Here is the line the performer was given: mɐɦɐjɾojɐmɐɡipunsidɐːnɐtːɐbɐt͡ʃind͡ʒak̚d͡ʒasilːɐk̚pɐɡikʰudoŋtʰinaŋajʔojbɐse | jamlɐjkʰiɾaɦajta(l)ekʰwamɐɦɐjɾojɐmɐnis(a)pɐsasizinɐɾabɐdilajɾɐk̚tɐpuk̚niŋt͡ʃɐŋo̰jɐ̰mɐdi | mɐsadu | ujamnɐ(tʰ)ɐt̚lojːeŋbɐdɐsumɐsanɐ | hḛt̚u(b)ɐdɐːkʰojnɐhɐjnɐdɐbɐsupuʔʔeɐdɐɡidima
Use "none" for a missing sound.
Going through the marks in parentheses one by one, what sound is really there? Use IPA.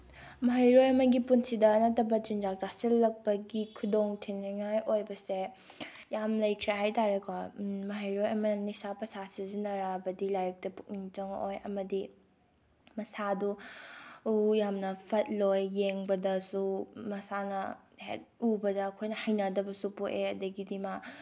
ɾ, a, pʰ, b

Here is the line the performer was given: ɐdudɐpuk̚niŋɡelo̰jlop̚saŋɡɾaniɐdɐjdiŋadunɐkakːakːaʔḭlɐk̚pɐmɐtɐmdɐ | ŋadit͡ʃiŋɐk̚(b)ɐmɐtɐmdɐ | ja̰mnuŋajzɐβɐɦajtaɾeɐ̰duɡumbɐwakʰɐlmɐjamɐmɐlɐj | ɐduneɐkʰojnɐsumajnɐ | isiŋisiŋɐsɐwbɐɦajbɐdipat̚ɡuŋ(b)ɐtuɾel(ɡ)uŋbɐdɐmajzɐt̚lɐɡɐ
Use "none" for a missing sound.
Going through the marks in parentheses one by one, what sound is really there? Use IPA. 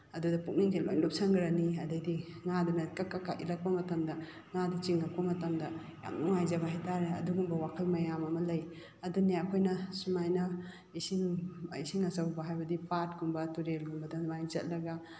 p, b, ɡ

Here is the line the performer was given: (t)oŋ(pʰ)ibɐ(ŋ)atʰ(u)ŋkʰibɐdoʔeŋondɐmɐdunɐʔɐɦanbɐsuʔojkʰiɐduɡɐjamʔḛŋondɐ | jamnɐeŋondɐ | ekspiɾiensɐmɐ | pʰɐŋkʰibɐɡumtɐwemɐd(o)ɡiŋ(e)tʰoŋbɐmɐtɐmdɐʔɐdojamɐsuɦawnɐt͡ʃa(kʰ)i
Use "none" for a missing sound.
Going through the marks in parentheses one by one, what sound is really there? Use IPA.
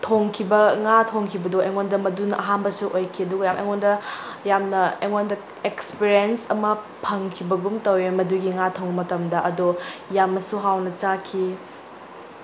tʰ, kʰ, ŋ, o, u, a, kʰ

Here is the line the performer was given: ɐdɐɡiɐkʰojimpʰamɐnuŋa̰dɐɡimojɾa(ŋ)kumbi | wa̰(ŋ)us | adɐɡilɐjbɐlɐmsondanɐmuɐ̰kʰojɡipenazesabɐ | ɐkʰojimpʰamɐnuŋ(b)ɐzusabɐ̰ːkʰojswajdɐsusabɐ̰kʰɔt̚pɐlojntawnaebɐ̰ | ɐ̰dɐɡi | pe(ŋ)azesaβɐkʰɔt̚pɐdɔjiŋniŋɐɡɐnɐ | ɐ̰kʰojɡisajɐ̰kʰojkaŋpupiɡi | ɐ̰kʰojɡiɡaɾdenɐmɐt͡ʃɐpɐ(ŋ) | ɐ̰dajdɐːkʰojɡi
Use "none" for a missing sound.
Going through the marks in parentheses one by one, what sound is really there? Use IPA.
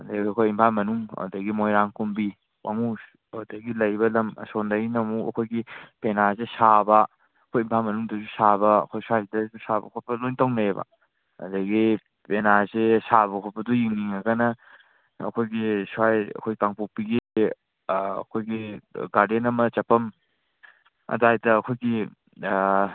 ŋ, ŋ, d, n, m

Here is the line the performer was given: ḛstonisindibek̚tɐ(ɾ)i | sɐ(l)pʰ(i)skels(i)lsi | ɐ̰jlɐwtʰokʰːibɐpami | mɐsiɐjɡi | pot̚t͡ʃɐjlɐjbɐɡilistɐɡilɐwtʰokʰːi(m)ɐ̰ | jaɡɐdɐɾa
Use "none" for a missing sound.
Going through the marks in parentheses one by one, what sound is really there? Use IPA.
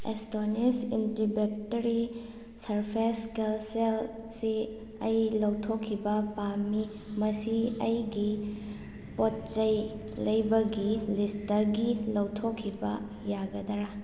ɾ, ɾ, e, e, b

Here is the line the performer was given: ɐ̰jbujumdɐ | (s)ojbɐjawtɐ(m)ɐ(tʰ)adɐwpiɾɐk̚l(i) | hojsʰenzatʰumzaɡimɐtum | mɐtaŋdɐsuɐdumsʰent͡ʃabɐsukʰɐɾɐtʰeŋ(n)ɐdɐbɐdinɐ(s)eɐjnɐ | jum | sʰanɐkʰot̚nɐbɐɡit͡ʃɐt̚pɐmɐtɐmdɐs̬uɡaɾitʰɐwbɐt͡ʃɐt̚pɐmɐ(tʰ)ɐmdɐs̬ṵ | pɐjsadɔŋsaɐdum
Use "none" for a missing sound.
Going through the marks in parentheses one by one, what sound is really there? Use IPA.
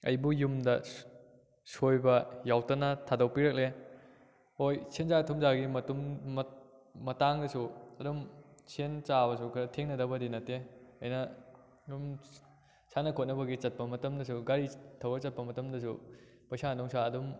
s, n, tʰ, e, n, t, t

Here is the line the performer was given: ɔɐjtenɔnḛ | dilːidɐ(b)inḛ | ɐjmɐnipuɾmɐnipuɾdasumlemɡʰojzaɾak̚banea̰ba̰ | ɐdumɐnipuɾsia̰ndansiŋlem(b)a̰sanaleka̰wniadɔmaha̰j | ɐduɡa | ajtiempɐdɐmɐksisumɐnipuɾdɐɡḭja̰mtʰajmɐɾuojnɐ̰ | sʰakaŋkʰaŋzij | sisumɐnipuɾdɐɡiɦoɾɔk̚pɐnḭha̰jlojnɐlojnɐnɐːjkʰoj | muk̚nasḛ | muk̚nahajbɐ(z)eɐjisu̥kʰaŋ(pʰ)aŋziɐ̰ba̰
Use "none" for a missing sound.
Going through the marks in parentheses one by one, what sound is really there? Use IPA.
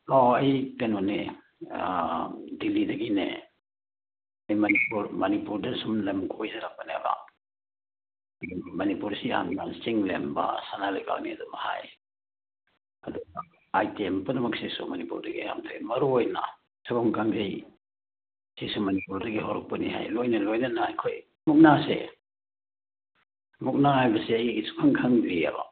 ɡ, b, s, kʰ

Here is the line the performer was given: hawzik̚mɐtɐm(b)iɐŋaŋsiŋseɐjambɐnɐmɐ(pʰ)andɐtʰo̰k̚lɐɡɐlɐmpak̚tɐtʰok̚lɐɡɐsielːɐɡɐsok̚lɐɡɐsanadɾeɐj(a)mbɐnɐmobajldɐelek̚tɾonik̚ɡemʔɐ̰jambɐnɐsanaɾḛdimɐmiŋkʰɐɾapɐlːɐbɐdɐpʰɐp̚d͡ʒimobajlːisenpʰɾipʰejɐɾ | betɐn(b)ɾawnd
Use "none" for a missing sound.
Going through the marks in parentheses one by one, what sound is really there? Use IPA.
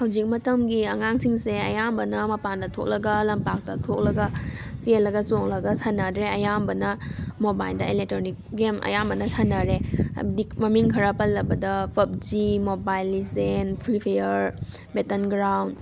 ɡ, p, a, ɡ

